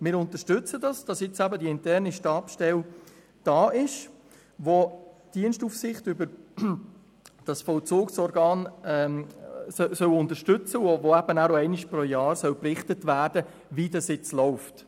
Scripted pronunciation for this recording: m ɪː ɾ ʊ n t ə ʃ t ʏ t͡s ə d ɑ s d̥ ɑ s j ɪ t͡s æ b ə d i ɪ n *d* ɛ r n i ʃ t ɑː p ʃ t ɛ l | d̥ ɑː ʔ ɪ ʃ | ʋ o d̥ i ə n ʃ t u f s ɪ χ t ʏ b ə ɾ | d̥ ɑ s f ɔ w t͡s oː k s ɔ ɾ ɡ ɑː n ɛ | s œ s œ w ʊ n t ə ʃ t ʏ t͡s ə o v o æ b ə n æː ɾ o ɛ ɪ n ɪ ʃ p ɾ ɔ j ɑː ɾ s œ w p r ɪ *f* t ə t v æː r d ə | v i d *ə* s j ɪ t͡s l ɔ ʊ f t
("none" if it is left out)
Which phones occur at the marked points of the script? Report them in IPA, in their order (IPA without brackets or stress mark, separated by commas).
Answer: t, χ, ɑ